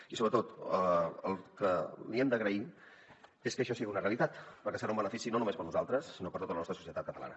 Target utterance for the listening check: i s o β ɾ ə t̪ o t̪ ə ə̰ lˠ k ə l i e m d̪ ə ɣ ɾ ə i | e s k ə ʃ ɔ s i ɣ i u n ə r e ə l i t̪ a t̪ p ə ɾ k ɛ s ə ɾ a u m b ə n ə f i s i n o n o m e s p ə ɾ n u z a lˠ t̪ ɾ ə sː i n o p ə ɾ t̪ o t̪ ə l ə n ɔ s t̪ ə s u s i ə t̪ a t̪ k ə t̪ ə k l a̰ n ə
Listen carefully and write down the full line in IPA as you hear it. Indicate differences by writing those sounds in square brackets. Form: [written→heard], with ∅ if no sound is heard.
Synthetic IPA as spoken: i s o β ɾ ə t̪ o t̪ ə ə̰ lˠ k ə l i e m d̪ ə ɣ ɾ ə i | e s k ə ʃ ɔ s i ɣ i u n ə r e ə l i t̪ a t̪ p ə ɾ k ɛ s ə ɾ a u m b ə n ə f i s i n o n [o→u] m e s p ə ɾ n u z a lˠ t̪ ɾ ə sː i n o p ə ɾ t̪ o t̪ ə l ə n ɔ s t̪ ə s u s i ə t̪ a t̪ k ə t̪ ə [k→∅] l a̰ n ə